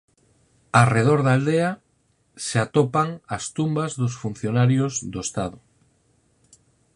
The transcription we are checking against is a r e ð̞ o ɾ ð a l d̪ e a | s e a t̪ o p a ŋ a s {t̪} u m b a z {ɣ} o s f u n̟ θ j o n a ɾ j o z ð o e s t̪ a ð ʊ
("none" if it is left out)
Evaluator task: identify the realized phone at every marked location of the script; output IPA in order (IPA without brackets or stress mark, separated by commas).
t̪, ð